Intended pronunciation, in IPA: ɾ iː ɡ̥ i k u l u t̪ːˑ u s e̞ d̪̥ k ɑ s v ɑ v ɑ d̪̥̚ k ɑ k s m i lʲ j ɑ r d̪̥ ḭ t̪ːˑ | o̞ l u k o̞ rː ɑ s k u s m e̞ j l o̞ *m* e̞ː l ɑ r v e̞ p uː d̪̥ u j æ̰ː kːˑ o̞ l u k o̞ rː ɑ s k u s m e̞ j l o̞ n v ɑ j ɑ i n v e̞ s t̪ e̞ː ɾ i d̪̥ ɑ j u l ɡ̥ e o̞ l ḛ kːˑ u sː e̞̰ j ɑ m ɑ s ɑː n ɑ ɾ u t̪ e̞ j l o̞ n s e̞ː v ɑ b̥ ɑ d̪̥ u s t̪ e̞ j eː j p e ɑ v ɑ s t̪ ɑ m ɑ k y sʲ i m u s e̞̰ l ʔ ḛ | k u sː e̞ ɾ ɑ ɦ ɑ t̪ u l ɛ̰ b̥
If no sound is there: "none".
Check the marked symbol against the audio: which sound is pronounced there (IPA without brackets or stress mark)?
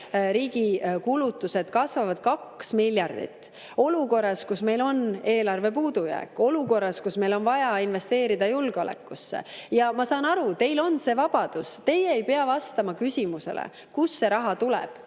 n